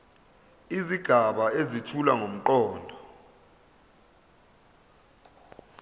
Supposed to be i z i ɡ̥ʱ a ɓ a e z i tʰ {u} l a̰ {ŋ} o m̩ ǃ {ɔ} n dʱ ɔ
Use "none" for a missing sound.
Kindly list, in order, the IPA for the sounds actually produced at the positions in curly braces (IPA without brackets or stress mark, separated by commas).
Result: u, ŋ, ɔː